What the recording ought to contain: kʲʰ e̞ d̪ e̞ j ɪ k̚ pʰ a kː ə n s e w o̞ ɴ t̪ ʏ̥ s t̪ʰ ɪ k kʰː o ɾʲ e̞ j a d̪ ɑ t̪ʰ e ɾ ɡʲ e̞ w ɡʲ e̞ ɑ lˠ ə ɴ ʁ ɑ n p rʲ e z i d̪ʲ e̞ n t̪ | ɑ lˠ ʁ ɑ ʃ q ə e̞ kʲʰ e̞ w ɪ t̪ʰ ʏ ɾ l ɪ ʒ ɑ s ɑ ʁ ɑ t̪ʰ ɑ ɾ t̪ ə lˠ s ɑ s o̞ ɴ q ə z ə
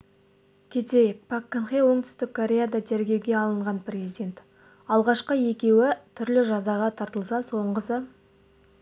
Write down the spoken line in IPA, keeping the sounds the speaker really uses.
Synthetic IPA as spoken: kʲʰ e̞ t̪ e̞ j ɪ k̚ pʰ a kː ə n χ e w o̞ ɴ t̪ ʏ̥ s t̪ ɪ k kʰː o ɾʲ e̞ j a d̪ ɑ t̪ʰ e ɾ ɡʲ e̞ w ɡʲ e̞ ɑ lˠ ə ɴ ʁ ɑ n p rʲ e z i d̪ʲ e̞ n t̪ | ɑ lˠ ʁ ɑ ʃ q ə e̞ kʲ e̞ w ɪ t̪ʰ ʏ ɾ l ɪ ʒ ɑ z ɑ ʁ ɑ t̪ʰ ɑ ɾ t̪ ə lˠ s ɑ s o̞ ɴ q ə s ə

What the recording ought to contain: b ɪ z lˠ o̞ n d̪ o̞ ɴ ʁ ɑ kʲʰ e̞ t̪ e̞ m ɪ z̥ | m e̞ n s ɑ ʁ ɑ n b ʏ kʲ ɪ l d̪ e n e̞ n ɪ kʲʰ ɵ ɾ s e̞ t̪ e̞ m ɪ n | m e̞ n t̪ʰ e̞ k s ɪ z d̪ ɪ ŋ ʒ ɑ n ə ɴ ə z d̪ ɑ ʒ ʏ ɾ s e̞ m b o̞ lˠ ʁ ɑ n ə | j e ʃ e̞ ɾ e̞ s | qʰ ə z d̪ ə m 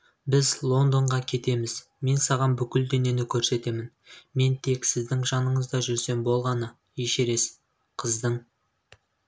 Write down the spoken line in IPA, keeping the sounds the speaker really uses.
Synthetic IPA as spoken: b ɪ z lˠ o̞ n d̪ o̞ ɴ ʁ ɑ kʲʰ e̞ t̪ e̞ m ɪ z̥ | m e̞ n s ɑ ʁ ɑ n b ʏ kʲ ɪ l d̪ e n e̞ n ɪ kʲʰ ɵ ɾ s e̞ t̪ e̞ m ɪ n | m e̞ n t̪ʰ e̞ k s ɪ z d̪ ɪ ŋ ʒ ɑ n ə ɴ ə z d̪ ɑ ʒ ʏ ɾ s e̞ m b o̞ lˠ ʁ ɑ n ə | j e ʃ e̞ ɾ e̞ s | qʰ ə z d̪ ə ɴ

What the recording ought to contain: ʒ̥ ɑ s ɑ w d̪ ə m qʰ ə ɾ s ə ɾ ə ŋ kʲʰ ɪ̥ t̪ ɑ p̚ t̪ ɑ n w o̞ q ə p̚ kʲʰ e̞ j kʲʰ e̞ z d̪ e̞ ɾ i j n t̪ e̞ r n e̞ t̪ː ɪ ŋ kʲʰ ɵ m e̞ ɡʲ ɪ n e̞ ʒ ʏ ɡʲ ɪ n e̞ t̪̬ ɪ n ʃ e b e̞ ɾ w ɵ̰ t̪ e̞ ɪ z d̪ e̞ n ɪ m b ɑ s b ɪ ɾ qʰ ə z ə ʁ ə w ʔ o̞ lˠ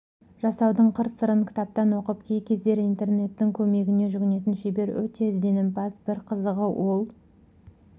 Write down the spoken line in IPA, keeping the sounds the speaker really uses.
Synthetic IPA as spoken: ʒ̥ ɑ s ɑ w d̪ ə ɴ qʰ ə ɾ s ə ɾ ə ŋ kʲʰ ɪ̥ t̪ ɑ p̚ t̪ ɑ n w o̞ q ə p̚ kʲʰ e̞ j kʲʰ e̞ z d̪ e̞ ɾ i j n t̪ e̞ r n e̞ t̪ː ɪ ŋ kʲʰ ɵ m e̞ ɡʲ ɪ n e̞ ʒ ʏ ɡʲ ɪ n e̞ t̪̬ ɪ n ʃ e b e̞ ɾ w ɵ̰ t̪ e̞ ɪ z d̪ e̞ n ɪ m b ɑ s b ɪ ɾ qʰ ə z ə ʁ ə w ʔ o̞ lˠ

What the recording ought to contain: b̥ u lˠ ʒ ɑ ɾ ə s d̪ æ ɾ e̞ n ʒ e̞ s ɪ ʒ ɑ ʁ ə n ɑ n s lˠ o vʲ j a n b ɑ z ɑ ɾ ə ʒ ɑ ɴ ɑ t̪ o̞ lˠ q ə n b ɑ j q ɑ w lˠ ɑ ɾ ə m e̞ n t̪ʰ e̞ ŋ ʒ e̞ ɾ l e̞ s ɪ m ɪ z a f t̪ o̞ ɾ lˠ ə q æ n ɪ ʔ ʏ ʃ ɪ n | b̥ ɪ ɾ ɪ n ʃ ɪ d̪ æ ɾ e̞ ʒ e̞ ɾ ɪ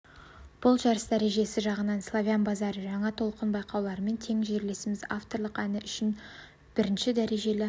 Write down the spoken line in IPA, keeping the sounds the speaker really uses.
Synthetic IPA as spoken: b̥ ʊ lˠ ʒ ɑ ɾ ə s d̪ æ ɾ e̞ ʒ e̞ s ɪ ʒ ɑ ʁ ə n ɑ n s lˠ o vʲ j a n b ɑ z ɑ ɾ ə ʒ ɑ ɴ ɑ t̪ʰ o̞ lˠ q ə n b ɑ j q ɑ w lˠ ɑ ɾ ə m e̞ n t̪ʰ e̞ ŋ ʒ e̞ ɾ l e̞ s ɪ m ɪ z a f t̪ o̞ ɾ lˠ ə q æ n ɪ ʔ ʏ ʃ ɪ n | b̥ ɪ ɾ ɪ n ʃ ɪ d̪ æ ɾ e̞ ʒ e̞ l ɪ

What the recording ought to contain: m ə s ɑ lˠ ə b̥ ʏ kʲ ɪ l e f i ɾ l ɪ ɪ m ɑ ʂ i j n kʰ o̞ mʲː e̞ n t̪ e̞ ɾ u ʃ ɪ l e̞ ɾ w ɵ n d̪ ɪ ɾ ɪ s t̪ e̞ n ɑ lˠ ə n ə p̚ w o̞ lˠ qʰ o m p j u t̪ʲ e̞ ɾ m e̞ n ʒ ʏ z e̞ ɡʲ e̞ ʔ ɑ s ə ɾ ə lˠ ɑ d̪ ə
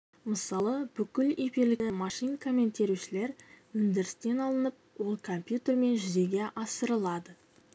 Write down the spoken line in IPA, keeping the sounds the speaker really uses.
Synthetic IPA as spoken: m ə s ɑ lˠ ə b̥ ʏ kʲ ɪ l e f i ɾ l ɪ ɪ m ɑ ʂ i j n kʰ o̞ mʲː e̞ n t̪ e̞ ɾ u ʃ ɪ l e̞ ɾ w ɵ n d̪ ɪ ɾ ɪ s t̪ e̞ n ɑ lˠ ə n ə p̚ w o̞ lˠ kʰ o m p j u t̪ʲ e̞ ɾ m e̞ n ʒ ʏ z e̞ ɡʲ e̞ ʔ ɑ s ə ɾ ə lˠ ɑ d̪ ə

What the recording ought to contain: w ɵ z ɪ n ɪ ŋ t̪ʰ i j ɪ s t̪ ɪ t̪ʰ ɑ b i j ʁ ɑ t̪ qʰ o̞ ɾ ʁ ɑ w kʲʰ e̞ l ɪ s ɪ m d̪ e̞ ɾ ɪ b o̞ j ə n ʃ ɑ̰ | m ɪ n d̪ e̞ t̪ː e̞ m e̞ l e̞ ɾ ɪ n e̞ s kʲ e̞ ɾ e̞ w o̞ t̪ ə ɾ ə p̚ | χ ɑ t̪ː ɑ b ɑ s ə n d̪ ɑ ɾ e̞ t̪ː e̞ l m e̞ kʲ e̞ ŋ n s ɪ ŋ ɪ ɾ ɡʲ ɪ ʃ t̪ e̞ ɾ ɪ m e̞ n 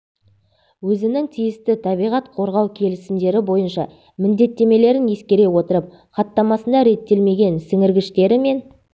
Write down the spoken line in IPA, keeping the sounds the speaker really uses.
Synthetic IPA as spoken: w ɵ z ɪ n ɪ ŋ t̪ʰ i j ɪ s t̪ ɪ t̪ʰ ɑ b i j ʁ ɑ t̪ qʰ o̞ ɾ ʁ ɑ w kʲʰ e̞ l ɪ s ɪ m d̪ e̞ ɾ ɪ b o̞ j ə n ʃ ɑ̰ | m ɪ n d̪ e̞ t̪ː e̞ m e̞ l e̞ ɾ ɪ n e̞ s kʲ e̞ ɾ e̞ w o̞ t̪ ə ɾ ə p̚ | χ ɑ t̪ː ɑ m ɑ s ə n d̪ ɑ ɾ e̞ t̪ː e̞ l m e̞ ɡʲ e̞ n s ɪ ŋ ɪ ɾ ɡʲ ɪ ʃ t̪ e̞ ɾ ɪ m e̞ n

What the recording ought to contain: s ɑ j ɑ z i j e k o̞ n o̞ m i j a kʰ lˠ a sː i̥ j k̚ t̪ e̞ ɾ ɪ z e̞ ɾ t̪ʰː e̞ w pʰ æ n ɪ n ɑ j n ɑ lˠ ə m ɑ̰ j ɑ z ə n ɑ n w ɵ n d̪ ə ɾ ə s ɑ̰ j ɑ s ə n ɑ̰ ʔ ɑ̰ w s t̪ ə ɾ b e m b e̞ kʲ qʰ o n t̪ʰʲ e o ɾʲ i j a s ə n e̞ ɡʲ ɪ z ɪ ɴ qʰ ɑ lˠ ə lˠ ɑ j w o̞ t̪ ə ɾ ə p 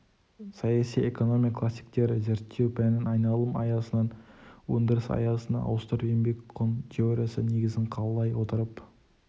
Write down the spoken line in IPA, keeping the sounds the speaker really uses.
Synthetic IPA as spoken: s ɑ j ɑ s i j e k o̞ n o̞ m i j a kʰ lˠ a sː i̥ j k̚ t̪ e̞ ɾ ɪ z e̞ ɾ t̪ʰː e̞ w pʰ æ n ɪ n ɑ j n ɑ lˠ ə m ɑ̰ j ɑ s ə n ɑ n w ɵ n d̪ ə ɾ ə s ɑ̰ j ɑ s ə n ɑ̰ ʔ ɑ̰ w s t̪ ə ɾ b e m b e̞ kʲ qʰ o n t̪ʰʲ e o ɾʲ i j a s ə n e̞ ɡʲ ɪ z ɪ ɴ qʰ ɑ lˠ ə lˠ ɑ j w o̞ t̪ ə ɾ ə p

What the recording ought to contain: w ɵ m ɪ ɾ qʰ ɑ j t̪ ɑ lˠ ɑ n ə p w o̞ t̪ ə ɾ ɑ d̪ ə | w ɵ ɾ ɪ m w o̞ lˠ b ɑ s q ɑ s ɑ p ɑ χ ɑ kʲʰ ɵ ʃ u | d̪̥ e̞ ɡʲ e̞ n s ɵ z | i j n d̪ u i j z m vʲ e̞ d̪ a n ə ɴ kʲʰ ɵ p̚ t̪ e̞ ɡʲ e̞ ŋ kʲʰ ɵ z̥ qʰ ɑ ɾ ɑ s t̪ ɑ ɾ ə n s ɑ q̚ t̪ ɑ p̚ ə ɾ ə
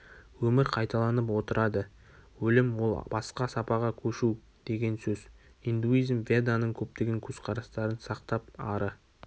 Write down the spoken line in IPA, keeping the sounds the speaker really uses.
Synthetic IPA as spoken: w ɵ m ɪ ɾ qʰ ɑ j t̪ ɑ lˠ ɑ n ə p w o̞ t̪ ə ɾ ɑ d̪ ə | w ɵ l ɪ m w o̞ lˠ b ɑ s q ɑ s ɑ p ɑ ʁ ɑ kʲʰ ɵ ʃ u | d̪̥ e̞ ɡʲ e̞ n s ɵ z | i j n d̪ u i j z m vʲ e̞ d̪ a n ə ɴ kʲʰ ɵ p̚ t̪ e̞ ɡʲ e̞ ŋ kʲʰ ɵ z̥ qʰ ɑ ɾ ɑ s t̪ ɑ ɾ ə n s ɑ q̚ t̪ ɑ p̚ ɑ ɾ ə

